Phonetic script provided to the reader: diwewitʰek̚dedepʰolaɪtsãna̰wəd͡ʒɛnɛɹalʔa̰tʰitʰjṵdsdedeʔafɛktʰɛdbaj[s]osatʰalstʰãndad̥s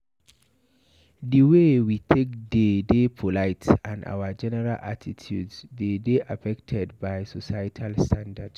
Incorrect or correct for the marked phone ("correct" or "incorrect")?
correct